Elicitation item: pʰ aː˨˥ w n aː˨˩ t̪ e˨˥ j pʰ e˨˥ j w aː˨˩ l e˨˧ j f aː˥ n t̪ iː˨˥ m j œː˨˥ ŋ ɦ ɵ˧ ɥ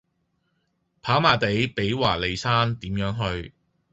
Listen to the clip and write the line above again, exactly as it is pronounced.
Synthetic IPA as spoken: pʰ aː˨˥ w m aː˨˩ t̪ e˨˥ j p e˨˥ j w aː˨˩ l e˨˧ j s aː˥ n t̪ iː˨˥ m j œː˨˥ ŋ ɦ ɵ˧ ɥ